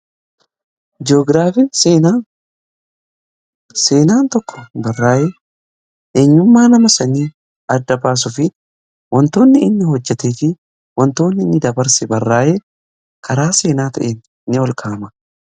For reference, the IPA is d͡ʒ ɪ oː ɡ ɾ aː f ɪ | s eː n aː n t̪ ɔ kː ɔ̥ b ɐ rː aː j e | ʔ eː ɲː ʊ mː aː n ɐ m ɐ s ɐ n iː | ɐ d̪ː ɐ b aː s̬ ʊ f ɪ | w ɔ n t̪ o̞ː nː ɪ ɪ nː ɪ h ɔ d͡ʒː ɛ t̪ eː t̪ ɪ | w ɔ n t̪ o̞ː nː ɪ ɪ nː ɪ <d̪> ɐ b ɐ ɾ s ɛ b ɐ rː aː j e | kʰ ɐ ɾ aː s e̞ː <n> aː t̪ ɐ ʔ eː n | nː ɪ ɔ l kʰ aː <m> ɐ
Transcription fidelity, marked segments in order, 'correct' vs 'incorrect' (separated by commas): correct, correct, correct